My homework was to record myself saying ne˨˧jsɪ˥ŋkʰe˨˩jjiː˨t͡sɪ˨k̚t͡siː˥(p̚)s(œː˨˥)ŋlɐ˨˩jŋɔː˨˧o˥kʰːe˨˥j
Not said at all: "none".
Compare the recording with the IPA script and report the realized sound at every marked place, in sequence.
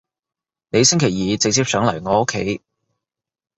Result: p̚, œː˨˥

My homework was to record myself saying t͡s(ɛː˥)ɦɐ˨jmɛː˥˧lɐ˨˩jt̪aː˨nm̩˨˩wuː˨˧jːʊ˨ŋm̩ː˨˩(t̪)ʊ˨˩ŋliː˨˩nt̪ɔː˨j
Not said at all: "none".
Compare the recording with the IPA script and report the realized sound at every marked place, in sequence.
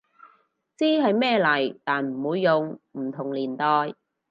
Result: iː˥, t̪ʰ

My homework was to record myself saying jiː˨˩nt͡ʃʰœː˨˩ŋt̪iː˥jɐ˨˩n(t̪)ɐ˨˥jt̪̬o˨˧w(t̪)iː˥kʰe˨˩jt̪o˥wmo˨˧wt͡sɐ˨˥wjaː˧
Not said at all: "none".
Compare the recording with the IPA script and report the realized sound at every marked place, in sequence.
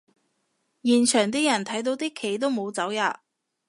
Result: t̪ʰ, t̪

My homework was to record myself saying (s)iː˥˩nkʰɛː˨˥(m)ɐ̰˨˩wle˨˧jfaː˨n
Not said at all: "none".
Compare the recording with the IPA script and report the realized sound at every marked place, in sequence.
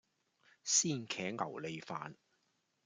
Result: s, ŋ

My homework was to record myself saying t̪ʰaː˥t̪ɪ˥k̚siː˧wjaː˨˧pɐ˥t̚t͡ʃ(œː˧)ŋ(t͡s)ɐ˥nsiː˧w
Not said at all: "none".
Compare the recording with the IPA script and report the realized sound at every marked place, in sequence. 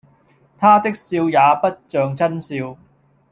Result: œː˧, t͡s

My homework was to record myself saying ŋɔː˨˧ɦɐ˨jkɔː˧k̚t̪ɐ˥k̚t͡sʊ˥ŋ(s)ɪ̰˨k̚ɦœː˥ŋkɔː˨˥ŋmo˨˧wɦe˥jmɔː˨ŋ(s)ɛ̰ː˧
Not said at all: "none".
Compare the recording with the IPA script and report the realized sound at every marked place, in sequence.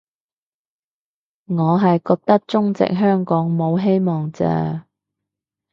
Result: t͡s, t͡s

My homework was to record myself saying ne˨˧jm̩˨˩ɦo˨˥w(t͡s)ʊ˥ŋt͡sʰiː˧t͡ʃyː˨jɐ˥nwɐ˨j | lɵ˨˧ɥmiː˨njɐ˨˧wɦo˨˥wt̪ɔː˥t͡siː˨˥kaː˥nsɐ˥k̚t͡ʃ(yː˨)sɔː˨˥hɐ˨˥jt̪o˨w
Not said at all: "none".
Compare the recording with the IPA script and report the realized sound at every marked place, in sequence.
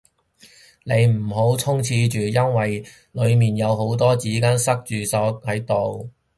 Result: t͡sʰ, yː˨

